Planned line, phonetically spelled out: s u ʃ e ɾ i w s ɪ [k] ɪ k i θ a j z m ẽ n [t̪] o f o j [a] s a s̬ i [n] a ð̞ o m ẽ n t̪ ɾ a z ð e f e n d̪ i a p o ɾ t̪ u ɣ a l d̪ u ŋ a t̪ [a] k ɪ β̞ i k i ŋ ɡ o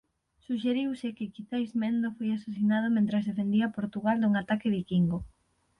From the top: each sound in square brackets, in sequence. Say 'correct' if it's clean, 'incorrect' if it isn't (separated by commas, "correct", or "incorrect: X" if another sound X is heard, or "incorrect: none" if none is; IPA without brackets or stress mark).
correct, incorrect: d̪, correct, correct, correct